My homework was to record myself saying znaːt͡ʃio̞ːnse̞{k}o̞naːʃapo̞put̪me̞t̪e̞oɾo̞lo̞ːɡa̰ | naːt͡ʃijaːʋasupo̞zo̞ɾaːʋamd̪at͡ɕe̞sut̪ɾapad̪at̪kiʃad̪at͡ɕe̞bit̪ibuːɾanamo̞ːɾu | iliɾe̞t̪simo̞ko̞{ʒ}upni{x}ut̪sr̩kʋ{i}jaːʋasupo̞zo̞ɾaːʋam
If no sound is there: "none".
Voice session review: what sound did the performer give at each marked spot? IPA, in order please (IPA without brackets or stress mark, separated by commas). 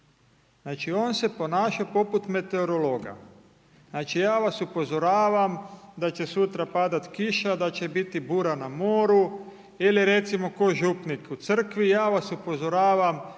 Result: p, ʒ, k, i